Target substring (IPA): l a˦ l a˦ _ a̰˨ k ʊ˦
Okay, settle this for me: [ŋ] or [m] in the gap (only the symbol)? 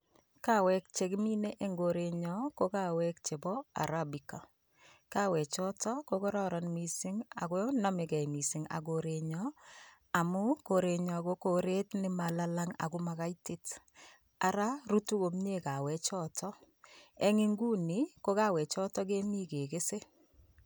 ŋ